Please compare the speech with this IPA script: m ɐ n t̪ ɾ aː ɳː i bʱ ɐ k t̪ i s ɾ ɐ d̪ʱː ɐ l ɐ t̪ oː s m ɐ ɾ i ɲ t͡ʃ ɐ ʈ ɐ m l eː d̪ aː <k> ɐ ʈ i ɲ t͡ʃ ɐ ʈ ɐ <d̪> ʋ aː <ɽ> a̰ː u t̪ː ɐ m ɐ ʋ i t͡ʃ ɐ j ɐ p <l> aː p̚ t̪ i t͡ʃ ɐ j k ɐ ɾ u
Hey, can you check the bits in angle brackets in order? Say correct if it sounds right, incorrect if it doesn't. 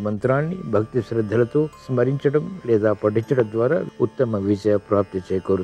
incorrect: p, correct, incorrect: ɾ, incorrect: ɾ

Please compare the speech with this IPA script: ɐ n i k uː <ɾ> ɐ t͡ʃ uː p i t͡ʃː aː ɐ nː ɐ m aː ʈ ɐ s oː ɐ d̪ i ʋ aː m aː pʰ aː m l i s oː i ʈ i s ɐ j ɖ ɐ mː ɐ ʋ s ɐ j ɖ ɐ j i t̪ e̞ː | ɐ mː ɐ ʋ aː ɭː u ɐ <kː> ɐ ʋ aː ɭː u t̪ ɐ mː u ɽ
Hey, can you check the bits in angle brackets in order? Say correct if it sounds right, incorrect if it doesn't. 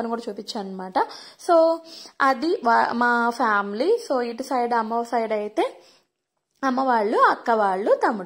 incorrect: ɽ, correct

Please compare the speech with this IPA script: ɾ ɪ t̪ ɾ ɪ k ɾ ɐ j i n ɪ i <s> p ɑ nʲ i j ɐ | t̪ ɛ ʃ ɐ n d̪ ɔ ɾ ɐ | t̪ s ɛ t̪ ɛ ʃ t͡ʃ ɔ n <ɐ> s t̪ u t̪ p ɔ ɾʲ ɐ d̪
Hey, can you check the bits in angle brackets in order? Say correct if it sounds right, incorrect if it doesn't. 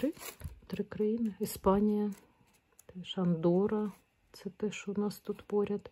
correct, incorrect: ɑ

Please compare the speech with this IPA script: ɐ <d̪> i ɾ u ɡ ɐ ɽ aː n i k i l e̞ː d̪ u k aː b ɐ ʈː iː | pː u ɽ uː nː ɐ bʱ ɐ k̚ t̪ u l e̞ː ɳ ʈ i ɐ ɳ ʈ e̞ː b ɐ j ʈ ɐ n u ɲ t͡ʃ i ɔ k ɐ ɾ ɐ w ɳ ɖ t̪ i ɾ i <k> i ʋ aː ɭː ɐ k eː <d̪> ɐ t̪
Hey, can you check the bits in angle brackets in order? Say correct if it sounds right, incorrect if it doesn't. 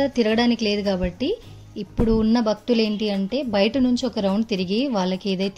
incorrect: t̪, incorrect: ɡ, correct

